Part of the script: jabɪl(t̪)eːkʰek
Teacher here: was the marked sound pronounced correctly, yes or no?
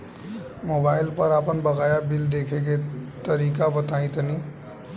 no